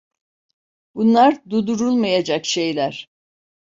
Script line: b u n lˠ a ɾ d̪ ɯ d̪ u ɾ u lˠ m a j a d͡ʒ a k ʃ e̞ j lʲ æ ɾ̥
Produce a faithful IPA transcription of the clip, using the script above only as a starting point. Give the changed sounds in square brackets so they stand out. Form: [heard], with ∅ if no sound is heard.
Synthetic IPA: b u n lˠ a ɾ d̪ [u] d̪ u ɾ u lˠ m a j a d͡ʒ a k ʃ e̞ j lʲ æ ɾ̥